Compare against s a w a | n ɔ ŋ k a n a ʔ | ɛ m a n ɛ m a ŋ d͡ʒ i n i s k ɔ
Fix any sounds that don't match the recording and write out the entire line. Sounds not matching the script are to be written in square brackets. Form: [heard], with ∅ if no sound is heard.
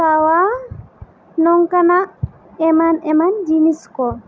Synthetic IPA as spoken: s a w a | n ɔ ŋ k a n a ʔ | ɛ m a n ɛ m a [n] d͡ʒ i n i s k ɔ

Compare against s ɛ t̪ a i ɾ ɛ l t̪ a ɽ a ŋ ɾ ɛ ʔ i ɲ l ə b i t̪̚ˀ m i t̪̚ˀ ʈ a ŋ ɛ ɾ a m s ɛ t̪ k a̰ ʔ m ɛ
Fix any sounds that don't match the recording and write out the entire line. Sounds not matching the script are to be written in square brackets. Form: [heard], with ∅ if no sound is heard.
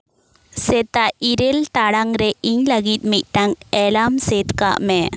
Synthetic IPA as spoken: s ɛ t̪ a i ɾ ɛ l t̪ a ɽ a ŋ ɾ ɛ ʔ i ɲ l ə [ɡ] i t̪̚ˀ m i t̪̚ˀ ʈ a ŋ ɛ [l] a m s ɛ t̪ k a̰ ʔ m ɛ

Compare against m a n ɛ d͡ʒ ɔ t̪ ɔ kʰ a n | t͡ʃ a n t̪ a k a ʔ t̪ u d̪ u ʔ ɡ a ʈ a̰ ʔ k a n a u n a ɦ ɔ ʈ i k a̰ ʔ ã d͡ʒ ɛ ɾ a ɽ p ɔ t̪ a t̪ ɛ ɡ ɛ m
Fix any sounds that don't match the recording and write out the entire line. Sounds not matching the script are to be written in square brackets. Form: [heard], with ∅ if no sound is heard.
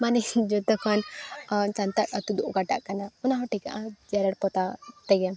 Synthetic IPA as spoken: m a n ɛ d͡ʒ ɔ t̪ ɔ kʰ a n | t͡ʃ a n t̪ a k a [∅] t̪ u d̪ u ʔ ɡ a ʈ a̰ ʔ k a n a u n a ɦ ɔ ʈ i k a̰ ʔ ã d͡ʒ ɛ ɾ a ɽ p ɔ t̪ a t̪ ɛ ɡ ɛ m

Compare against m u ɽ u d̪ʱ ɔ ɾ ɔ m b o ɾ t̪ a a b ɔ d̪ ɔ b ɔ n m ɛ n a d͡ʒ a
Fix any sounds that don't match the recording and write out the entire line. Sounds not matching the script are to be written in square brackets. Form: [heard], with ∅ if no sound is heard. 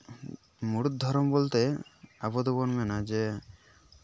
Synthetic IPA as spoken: m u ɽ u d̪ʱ ɔ ɾ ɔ m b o [l] t̪ [e] a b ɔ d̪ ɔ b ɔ n m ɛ n a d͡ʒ [e]

